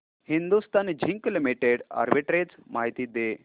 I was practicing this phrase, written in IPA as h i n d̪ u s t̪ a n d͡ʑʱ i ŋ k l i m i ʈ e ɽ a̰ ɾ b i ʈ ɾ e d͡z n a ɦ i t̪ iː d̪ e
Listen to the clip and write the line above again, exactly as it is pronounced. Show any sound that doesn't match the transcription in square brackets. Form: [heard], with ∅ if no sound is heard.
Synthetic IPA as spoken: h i n d̪ u s t̪ a n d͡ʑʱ i ŋ k l i m i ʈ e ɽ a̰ ɾ b i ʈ ɾ e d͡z [m] a ɦ i t̪ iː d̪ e